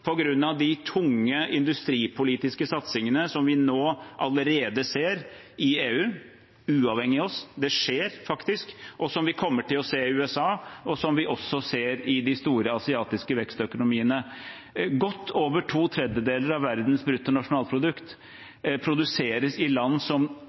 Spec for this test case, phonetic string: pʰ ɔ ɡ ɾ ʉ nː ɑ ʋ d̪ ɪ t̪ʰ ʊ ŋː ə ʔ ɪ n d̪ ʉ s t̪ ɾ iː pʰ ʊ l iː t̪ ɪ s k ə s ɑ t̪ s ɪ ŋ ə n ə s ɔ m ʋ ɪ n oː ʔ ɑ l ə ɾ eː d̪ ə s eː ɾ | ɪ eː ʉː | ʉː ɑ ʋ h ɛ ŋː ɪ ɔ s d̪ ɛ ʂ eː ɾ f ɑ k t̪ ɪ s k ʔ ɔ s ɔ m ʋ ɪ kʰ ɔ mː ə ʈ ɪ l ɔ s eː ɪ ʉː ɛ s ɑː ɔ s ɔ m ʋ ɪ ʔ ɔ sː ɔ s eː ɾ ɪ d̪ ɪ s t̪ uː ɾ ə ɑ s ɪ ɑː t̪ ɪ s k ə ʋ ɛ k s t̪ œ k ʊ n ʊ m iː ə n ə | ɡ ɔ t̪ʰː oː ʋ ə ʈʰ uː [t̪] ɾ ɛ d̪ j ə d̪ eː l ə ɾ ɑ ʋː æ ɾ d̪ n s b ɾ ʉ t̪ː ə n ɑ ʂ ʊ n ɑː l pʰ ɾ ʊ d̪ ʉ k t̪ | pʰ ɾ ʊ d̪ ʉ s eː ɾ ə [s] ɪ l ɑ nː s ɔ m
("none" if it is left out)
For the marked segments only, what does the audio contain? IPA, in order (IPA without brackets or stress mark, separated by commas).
t̪ʰ, s